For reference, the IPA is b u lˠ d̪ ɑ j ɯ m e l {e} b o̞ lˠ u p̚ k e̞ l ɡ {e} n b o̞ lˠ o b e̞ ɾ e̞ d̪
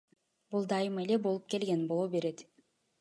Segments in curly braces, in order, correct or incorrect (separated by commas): correct, correct